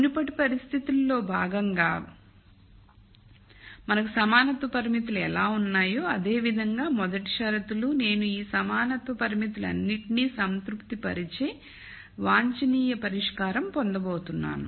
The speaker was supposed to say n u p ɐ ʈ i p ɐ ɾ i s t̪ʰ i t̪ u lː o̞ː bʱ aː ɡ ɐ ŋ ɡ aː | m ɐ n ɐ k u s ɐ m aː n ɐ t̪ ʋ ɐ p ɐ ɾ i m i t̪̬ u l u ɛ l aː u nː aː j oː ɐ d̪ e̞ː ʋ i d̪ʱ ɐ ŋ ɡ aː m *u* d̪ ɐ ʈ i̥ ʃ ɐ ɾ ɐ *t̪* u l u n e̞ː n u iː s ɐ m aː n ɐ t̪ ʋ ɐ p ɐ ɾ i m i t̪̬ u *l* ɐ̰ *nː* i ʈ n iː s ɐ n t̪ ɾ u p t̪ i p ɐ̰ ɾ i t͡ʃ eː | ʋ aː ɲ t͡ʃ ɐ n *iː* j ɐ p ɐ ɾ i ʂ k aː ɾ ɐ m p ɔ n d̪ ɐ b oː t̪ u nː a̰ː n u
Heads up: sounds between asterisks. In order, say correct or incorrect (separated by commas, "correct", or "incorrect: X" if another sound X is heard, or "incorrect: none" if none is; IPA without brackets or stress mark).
incorrect: ɔ, correct, correct, correct, correct